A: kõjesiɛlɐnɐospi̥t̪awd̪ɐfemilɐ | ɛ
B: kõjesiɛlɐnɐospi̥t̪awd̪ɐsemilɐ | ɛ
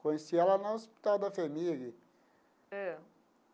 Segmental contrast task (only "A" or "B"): A